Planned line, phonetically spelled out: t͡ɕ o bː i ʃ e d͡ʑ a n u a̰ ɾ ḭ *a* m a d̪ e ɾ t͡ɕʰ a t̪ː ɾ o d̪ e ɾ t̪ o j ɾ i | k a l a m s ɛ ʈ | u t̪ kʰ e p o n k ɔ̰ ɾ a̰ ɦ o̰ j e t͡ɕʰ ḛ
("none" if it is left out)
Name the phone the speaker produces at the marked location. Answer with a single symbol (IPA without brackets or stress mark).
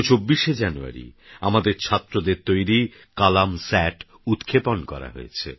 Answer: a